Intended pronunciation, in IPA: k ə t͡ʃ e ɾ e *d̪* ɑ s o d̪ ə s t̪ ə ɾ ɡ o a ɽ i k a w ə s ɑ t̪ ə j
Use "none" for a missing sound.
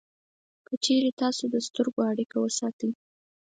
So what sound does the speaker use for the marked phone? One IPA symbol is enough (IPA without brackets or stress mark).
t̪